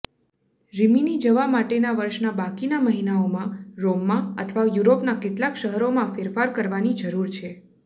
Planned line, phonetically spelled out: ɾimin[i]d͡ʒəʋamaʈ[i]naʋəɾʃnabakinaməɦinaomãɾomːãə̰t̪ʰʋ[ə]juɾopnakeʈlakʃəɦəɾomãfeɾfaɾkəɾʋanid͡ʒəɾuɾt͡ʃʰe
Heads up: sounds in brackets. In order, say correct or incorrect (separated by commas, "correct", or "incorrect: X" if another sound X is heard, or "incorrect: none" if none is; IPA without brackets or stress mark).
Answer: correct, incorrect: e, incorrect: a